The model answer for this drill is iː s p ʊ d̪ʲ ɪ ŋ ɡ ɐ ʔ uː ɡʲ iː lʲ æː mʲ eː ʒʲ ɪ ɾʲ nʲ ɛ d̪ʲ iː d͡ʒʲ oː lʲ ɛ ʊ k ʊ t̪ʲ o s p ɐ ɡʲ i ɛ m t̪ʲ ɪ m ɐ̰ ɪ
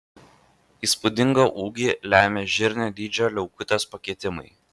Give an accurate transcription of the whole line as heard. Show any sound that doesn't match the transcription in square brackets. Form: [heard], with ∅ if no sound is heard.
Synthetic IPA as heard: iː s p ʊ d̪ʲ ɪ ŋ ɡ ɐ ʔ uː ɡʲ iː lʲ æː mʲ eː ʒʲ ɪ ɾʲ nʲ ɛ d̪ʲ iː d͡ʒʲ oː lʲ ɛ ʊ k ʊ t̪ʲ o s p ɐ [kʲ] i ɛ [∅] t̪ʲ ɪ m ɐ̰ ɪ